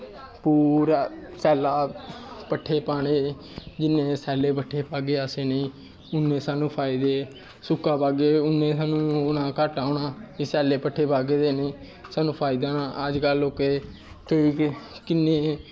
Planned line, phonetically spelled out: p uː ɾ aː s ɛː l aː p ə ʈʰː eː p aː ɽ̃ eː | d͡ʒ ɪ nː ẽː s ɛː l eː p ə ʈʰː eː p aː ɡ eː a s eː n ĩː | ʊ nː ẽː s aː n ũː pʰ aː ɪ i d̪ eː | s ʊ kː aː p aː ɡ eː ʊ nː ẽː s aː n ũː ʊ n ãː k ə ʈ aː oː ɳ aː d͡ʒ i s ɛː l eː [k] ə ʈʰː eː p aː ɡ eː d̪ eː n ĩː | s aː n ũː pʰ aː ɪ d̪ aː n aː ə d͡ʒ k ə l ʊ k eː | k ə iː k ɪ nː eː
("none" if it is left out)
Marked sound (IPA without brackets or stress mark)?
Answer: p